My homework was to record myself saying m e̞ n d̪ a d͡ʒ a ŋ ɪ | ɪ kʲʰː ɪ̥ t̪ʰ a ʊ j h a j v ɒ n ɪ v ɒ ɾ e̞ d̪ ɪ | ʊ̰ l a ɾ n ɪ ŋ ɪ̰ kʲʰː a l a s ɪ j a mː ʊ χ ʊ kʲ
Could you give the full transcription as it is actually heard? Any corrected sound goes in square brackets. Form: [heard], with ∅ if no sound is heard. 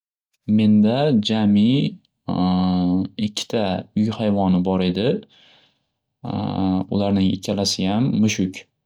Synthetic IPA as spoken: m e̞ n d̪ a d͡ʒ a [m] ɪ | ɪ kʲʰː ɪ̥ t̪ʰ a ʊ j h a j v ɒ n ɪ [b] ɒ ɾ e̞ d̪ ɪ | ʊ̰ l a ɾ n ɪ ŋ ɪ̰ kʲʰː a l a s ɪ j a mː ʊ [ʃ] ʊ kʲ

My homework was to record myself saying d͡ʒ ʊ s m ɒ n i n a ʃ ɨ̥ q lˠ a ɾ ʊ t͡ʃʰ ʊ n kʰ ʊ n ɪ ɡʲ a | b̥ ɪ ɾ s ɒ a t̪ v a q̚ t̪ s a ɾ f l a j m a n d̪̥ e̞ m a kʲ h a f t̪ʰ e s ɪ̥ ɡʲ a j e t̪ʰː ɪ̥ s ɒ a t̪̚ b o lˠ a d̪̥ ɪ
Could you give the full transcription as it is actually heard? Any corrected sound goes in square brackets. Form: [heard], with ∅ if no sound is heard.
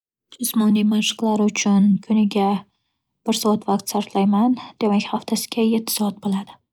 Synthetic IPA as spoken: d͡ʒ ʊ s m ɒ n i [m] a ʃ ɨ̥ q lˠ a ɾ ʊ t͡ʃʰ ʊ n kʰ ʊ n ɪ ɡʲ a | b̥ ɪ ɾ s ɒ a t̪ v a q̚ t̪ s a ɾ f l a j m a n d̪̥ e̞ m a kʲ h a f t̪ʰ [a] s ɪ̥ ɡʲ a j e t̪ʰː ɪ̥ s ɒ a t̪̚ b o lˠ a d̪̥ ɪ

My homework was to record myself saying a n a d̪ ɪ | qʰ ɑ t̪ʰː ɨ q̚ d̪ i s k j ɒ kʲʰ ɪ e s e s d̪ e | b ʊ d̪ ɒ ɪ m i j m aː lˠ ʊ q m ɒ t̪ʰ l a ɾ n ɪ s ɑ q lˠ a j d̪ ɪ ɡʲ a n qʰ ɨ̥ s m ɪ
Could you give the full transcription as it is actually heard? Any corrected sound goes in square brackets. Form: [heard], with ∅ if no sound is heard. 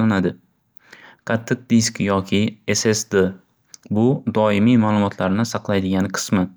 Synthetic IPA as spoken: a n a d̪ ɪ | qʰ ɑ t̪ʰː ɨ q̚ d̪ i s k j ɒ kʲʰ ɪ e s e s d̪ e | b ʊ d̪ ɒ ɪ m i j m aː lˠ ʊ [∅] m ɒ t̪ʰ l a ɾ n ɪ s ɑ q lˠ a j d̪ ɪ ɡʲ a n qʰ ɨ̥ s m ɪ

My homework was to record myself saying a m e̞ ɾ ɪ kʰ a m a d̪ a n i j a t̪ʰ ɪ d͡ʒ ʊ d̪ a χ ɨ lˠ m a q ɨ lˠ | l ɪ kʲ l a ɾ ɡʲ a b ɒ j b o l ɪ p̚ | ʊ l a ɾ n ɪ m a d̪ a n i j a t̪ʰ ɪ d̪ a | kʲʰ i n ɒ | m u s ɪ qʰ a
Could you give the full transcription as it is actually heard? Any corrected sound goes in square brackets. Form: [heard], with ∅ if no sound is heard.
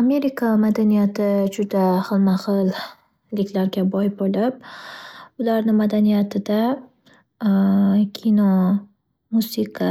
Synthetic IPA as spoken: a m e̞ ɾ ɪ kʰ a m a d̪ a n i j a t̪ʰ ɪ d͡ʒ ʊ d̪ a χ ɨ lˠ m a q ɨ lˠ | l ɪ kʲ l a ɾ ɡʲ a b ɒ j b o l ɪ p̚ | ʊ l a ɾ n ɪ m a d̪ a n i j a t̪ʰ ɪ d̪ a | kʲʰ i n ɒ | m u s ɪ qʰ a

